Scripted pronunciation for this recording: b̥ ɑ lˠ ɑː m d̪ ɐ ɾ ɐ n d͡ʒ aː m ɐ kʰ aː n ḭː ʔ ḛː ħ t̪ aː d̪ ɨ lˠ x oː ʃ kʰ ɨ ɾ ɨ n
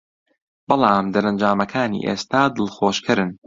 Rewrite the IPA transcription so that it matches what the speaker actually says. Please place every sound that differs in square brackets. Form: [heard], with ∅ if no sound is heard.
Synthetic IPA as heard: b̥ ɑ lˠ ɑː m d̪ ɐ ɾ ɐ n d͡ʒ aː m ɐ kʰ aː n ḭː ʔ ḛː [s] t̪ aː d̪ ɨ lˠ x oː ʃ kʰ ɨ ɾ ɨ n